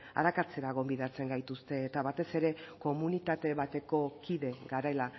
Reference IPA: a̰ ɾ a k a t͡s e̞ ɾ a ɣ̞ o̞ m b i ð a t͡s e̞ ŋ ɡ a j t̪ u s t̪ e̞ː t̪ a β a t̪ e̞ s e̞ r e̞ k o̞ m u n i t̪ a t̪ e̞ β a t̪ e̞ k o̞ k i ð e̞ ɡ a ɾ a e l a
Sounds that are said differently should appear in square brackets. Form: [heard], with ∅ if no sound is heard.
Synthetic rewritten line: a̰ ɾ a k a t͡s e̞ ɾ a ɣ̞ o̞ m b i ð a t͡s e̞ ŋ ɡ a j t̪ u s t̪ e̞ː t̪ a β a t̪ e̞ s e̞ [ɾ] e̞ k o̞ m u n i t̪ a t̪ e̞ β a t̪ e̞ k o̞ k i ð e̞ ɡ a ɾ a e l a